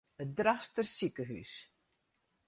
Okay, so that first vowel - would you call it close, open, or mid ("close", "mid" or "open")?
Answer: mid